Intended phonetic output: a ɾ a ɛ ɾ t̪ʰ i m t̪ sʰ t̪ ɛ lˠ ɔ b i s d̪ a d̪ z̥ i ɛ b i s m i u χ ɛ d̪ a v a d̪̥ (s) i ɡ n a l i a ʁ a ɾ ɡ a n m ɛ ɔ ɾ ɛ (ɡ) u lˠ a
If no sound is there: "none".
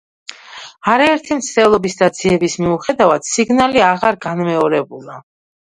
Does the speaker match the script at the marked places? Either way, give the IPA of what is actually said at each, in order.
s, b

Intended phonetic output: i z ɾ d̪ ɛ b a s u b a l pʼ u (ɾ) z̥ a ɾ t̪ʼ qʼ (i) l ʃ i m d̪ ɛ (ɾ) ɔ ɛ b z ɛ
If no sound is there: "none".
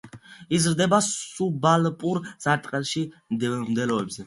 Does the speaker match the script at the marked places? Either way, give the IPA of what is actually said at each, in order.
ɾ, ɛ, l

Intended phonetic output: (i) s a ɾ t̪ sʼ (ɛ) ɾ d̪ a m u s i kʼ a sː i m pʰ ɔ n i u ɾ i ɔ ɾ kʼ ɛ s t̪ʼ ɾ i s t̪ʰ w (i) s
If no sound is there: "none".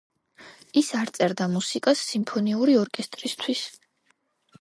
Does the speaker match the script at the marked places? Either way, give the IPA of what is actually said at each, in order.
i, ɛ, i

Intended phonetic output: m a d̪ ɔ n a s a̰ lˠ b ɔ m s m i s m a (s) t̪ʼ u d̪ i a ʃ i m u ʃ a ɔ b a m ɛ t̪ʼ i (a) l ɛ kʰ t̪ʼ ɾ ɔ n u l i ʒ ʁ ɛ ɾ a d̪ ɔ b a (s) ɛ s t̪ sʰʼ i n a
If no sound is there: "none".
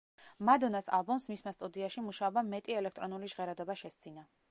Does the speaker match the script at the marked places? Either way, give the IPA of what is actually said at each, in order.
s, ɛ, ʃ

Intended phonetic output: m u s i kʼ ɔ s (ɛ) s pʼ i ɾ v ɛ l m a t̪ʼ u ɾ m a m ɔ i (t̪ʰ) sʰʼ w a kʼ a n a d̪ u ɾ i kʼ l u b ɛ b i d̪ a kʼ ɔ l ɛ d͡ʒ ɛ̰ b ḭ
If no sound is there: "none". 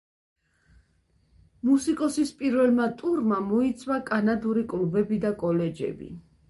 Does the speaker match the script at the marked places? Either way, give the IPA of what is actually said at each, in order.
i, t̪

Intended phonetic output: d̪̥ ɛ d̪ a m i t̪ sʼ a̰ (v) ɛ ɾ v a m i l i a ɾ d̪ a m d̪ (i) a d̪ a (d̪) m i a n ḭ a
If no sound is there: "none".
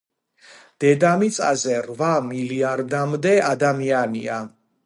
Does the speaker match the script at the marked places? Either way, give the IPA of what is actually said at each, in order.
z, ɛ, none

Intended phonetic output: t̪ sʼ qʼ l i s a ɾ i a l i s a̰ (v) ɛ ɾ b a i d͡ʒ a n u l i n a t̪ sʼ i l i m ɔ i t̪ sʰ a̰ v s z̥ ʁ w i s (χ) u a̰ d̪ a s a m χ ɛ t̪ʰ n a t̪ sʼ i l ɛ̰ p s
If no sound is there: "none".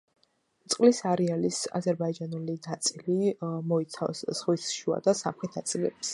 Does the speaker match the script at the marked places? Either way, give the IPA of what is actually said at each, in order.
z, ʃ

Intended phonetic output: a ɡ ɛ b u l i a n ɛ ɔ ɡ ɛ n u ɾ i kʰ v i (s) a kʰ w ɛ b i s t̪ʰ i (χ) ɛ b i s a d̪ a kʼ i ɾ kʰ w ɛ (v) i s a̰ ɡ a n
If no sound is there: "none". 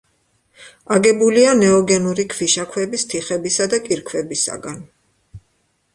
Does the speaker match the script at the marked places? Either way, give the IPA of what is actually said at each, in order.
ʃ, χ, b

